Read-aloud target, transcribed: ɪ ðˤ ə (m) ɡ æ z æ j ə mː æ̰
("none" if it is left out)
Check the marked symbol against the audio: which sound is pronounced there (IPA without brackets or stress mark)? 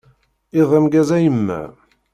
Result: m